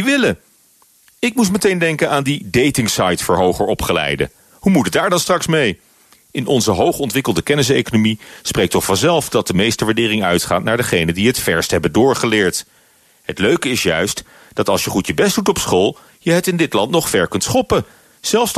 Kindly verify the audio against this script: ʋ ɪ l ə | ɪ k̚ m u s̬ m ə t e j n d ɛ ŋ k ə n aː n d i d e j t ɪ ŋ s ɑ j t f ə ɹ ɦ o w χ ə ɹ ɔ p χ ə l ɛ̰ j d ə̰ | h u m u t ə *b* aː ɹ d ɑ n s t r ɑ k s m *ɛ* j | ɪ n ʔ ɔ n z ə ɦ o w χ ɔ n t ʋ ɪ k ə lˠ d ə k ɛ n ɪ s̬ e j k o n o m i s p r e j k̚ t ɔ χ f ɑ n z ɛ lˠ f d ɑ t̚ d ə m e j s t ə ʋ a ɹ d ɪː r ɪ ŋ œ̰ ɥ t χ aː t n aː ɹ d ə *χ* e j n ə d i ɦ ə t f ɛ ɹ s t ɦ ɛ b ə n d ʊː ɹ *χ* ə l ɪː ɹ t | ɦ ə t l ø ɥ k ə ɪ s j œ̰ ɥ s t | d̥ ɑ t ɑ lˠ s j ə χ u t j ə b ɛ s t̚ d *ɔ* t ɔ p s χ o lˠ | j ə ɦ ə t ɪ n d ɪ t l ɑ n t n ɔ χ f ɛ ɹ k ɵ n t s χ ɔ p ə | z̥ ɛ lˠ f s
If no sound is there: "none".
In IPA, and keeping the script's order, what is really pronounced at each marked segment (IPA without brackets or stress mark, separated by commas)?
d, e, χ, χ, u